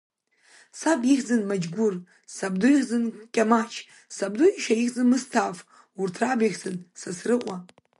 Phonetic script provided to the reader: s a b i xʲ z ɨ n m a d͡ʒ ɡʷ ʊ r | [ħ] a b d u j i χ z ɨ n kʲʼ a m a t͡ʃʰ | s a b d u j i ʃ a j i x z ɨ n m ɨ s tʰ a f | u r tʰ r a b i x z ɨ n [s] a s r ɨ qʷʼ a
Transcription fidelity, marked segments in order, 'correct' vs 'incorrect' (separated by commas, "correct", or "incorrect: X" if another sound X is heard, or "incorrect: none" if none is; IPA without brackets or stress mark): incorrect: s, correct